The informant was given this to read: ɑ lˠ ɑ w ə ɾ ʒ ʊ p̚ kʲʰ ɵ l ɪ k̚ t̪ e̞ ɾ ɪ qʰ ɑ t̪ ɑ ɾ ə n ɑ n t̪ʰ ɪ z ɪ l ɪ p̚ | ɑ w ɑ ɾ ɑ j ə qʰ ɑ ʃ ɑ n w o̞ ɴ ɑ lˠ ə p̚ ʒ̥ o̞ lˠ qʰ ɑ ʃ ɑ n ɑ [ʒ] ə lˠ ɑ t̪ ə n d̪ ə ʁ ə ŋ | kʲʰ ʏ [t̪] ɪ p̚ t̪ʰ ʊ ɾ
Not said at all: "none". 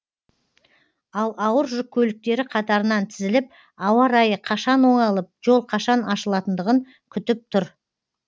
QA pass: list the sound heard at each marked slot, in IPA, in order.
ʃ, t̪

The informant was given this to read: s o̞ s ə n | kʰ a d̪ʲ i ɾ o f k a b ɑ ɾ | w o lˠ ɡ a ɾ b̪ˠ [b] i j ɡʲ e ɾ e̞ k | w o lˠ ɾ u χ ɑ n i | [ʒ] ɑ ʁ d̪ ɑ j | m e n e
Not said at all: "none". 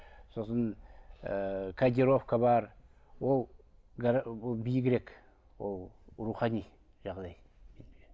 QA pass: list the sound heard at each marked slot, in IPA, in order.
b, ʒ

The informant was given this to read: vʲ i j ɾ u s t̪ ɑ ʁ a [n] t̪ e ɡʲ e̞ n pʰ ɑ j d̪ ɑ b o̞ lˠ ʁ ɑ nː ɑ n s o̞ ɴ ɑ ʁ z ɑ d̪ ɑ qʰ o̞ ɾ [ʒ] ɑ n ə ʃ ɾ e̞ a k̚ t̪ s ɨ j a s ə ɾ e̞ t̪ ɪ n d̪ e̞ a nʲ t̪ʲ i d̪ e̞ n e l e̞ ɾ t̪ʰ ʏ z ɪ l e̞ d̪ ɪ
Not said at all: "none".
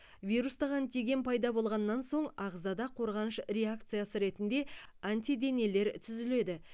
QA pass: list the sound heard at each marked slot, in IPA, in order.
n, ʁ

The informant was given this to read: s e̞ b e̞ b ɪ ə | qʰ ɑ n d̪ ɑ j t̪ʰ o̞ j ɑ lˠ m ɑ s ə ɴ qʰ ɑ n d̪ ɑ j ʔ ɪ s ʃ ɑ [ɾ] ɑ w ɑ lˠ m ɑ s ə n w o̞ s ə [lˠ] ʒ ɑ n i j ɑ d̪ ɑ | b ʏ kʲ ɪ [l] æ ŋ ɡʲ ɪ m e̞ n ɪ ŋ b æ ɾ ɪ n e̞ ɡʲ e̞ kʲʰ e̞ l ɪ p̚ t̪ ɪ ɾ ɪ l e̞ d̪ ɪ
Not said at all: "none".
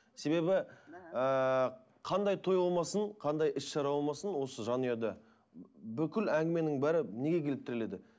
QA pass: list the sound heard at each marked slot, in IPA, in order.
ɾ, none, l

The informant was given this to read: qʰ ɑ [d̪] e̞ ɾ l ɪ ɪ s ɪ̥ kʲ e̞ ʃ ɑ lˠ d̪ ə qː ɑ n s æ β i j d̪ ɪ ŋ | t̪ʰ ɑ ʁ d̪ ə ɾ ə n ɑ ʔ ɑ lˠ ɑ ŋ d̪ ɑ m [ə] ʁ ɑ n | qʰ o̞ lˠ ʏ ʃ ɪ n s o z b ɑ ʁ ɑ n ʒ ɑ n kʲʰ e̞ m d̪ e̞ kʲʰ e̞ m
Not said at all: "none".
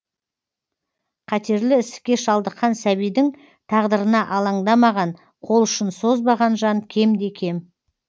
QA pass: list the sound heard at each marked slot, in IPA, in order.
t̪, ɑ

